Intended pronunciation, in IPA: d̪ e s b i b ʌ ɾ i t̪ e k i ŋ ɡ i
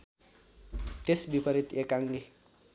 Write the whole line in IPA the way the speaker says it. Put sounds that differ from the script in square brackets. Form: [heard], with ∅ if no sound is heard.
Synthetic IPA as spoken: [t̪] e s b i [p] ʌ ɾ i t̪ e k [a] ŋ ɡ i